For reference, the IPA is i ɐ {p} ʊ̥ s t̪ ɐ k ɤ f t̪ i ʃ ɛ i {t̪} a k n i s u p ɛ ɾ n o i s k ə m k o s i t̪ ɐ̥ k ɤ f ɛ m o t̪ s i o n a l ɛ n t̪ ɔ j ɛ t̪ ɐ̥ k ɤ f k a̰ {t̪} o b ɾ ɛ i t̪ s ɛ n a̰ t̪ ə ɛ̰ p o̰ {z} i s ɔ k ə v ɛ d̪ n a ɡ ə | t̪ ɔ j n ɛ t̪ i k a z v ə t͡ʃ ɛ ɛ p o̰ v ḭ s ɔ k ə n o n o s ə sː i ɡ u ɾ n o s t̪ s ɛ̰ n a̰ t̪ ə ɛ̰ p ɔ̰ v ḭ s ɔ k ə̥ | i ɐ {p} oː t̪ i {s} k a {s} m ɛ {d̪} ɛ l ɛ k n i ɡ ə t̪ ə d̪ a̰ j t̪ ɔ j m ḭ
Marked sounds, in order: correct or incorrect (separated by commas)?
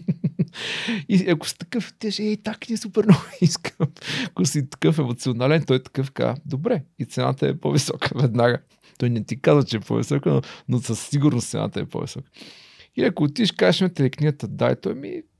incorrect, correct, incorrect, incorrect, incorrect, incorrect, incorrect, incorrect